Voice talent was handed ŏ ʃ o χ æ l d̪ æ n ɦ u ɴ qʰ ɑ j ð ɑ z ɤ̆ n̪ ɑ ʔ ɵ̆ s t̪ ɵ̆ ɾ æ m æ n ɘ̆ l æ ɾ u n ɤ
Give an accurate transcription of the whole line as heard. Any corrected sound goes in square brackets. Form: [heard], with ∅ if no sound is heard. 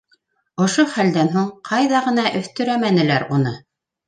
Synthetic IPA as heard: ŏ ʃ o χ æ l d̪ æ n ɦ u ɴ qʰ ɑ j ð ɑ [ʁ] ɤ̆ n̪ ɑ ʔ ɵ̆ [θ] t̪ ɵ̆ ɾ æ m æ n ɘ̆ l æ ɾ u n ɤ